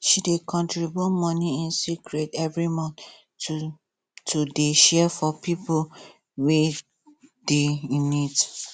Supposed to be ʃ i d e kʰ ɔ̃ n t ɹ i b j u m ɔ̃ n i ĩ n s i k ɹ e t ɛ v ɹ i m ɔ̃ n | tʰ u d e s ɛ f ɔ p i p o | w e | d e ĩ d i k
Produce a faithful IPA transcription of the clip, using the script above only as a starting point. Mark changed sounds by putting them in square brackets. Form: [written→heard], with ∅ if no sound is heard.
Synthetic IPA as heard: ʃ i d e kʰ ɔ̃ n t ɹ i b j u m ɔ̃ n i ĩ n s i k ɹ e t ɛ v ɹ i m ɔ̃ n | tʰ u d e [s→ʃ] ɛ f ɔ p i p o | w e | d e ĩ [d→n] i [k→t]